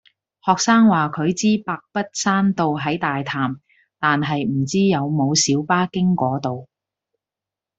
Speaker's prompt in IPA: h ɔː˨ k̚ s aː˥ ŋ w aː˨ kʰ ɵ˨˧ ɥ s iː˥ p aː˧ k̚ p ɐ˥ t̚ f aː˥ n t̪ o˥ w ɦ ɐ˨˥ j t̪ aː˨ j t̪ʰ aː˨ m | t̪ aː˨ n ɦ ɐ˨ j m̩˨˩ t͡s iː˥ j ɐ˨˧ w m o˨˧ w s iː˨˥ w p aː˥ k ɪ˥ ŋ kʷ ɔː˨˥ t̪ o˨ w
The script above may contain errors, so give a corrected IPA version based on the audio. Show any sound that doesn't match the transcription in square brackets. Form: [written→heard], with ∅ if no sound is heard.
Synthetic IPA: h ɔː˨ k̚ s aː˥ ŋ w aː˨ kʰ ɵ˨˧ ɥ [s→t͡s] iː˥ p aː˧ k̚ p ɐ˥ t̚ [f→s] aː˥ n t̪ [o˥→o˨] w ɦ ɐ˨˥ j t̪ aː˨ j t̪ʰ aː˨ m | t̪ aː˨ n ɦ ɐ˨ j m̩˨˩ t͡s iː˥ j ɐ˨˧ w m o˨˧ w s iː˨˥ w p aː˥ k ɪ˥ ŋ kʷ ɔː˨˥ t̪ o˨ w